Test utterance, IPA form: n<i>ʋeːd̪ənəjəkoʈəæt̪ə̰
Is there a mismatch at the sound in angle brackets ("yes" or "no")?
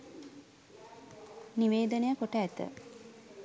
no